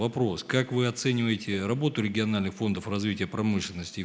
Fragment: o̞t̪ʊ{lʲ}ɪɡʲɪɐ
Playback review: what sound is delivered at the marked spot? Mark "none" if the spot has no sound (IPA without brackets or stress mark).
ɾʲ